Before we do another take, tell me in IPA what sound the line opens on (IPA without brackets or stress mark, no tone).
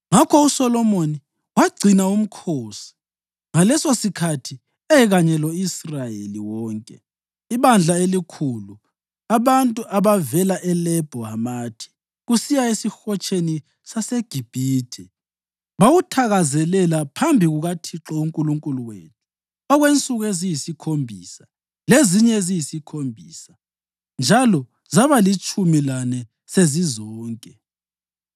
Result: ŋ